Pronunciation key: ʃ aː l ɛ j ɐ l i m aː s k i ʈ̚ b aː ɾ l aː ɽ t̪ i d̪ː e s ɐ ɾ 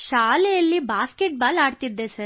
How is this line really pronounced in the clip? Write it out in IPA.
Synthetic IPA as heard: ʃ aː l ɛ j ɐ lː i b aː s k e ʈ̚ b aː l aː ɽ t̪ i d̪ː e s ɐ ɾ